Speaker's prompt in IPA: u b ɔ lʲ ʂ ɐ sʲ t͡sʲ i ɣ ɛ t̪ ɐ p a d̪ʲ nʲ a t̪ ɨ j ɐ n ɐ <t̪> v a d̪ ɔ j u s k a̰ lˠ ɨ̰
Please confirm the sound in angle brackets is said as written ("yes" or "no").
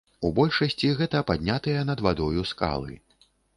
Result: no